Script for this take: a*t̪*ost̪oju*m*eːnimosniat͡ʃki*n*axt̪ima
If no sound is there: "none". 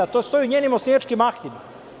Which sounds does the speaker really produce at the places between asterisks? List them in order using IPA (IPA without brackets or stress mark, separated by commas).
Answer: t̪, ɲ, m